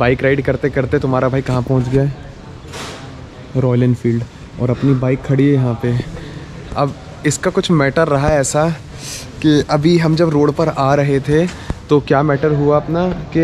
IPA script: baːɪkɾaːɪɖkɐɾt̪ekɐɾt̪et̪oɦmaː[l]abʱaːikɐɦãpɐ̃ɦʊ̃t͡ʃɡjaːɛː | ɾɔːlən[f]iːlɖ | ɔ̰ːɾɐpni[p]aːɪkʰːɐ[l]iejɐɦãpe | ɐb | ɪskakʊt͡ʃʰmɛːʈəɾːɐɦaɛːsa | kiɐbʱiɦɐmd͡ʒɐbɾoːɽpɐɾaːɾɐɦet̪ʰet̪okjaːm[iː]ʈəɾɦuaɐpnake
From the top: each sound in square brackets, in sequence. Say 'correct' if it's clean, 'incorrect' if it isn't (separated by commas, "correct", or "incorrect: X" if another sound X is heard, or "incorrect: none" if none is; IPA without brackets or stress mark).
incorrect: ɾ, correct, incorrect: b, incorrect: ɽ, incorrect: ɛː